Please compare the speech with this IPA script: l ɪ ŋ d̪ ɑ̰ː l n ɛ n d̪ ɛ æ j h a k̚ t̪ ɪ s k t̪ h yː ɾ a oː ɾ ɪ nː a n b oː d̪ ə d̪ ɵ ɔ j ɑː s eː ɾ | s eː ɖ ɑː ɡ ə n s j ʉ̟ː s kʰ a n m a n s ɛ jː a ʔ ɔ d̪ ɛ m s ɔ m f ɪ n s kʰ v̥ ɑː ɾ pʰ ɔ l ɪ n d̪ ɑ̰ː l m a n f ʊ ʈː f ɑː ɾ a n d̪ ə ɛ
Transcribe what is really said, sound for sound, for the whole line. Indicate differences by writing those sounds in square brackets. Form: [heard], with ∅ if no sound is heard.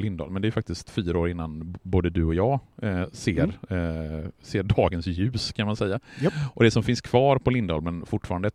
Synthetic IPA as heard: l ɪ [n] d̪ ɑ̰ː l [m] ɛ n d̪ ɛ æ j [f] a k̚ t̪ ɪ s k t̪ [f] yː ɾ a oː ɾ ɪ nː a n b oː d̪ ə d̪ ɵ ɔ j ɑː s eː ɾ | s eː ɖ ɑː ɡ ə n s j ʉ̟ː s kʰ a n m a n s ɛ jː a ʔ ɔ d̪ ɛ [∅] s ɔ m f ɪ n s kʰ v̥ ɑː ɾ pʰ ɔ l ɪ n d̪ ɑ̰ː l m [ɛ] n f ʊ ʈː f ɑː ɾ a n d̪ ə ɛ